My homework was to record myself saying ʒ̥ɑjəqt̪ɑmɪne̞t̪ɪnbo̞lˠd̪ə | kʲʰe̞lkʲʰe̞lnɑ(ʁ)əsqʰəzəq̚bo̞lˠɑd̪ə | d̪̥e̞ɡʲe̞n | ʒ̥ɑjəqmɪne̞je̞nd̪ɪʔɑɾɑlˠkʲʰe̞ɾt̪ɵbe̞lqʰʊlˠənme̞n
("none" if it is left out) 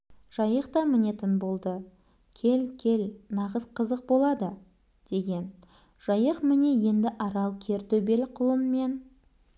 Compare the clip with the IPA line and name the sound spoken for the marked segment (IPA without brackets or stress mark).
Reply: ʁ